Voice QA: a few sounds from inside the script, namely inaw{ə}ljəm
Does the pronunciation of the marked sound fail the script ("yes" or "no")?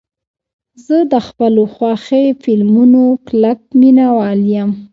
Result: yes